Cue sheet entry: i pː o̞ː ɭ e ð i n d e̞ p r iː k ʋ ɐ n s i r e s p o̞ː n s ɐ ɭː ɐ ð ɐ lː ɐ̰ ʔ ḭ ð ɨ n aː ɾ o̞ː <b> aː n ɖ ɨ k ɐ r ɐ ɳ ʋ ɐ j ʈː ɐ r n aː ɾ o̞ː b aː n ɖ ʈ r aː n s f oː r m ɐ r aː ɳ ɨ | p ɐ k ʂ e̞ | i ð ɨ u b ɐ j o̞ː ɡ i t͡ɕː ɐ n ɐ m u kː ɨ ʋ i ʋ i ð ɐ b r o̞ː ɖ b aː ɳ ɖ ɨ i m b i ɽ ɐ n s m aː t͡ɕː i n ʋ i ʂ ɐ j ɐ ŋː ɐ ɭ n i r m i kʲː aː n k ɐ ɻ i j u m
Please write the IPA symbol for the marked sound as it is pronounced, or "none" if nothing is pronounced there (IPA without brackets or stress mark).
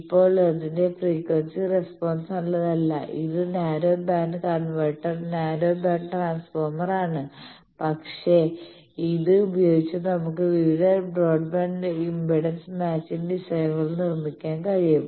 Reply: b